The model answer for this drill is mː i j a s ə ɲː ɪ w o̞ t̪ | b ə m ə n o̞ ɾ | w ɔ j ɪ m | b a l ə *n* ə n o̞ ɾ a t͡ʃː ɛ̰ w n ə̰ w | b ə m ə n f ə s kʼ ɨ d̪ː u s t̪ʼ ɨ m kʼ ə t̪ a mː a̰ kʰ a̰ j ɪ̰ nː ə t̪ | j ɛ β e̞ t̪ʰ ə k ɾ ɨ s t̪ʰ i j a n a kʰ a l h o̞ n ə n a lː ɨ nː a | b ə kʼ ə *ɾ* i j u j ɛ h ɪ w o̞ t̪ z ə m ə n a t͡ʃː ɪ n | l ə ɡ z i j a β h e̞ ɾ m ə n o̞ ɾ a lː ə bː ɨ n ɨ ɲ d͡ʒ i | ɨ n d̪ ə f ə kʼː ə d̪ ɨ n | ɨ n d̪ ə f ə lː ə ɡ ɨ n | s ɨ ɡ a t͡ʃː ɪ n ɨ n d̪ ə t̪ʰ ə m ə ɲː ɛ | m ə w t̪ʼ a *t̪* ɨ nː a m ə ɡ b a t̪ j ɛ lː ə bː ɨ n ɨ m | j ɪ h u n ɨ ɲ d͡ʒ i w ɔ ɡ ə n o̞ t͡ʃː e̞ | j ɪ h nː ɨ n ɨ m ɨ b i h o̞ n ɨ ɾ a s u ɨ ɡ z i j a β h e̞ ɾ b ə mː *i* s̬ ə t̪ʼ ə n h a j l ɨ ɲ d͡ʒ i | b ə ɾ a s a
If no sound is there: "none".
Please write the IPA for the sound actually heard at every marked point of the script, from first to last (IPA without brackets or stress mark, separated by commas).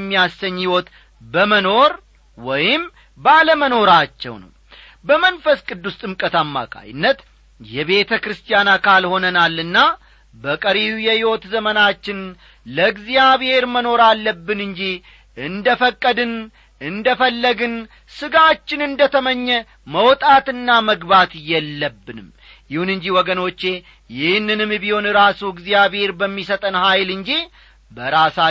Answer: m, ɾ, t̪, i